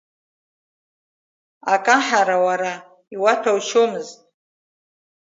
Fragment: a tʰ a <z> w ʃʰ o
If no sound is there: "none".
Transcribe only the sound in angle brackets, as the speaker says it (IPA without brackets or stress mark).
none